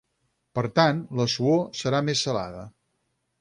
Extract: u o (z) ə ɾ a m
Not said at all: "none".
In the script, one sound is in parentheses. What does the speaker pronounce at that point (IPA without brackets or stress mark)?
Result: s